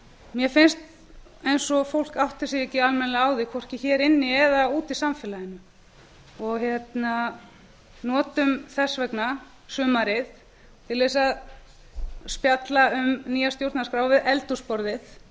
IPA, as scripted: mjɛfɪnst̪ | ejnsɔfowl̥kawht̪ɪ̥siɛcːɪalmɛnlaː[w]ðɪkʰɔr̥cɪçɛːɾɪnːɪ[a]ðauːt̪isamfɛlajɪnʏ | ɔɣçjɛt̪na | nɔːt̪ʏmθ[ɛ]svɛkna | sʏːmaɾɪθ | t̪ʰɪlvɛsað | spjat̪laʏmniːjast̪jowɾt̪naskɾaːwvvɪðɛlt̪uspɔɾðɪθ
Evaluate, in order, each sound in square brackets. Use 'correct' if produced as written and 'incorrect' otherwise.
correct, incorrect, correct

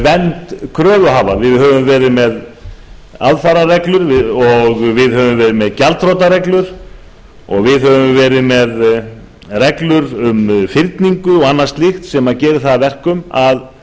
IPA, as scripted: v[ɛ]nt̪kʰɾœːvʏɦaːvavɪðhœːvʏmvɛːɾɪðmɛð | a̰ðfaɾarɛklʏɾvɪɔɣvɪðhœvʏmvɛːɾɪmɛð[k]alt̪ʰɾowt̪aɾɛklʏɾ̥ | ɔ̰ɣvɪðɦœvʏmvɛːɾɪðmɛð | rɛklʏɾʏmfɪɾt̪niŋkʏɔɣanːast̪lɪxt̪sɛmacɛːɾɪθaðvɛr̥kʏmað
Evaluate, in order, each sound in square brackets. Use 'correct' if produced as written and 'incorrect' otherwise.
correct, incorrect

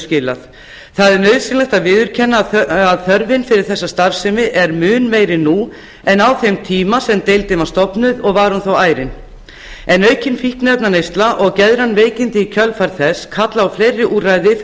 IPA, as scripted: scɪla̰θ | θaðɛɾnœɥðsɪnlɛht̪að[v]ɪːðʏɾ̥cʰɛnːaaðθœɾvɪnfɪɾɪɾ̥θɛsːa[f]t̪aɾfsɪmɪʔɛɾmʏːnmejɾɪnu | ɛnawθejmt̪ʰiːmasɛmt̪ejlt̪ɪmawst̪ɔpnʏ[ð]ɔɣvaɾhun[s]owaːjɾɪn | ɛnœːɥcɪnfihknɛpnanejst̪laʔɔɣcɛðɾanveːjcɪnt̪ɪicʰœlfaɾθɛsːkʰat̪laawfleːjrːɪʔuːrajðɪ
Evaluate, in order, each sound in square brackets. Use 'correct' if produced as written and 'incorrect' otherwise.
correct, incorrect, correct, incorrect

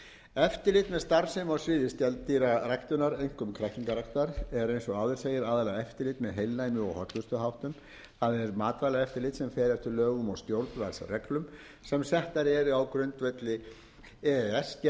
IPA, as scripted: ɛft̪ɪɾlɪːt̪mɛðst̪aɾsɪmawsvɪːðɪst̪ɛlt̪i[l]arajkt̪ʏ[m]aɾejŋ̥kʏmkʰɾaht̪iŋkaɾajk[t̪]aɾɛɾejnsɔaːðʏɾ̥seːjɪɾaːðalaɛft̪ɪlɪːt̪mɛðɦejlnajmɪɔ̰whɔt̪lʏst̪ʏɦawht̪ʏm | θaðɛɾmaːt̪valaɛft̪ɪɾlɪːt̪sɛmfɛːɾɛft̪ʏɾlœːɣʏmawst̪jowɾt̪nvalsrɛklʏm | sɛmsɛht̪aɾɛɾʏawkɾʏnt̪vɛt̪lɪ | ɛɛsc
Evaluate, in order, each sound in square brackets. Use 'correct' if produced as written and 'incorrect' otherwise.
incorrect, incorrect, correct

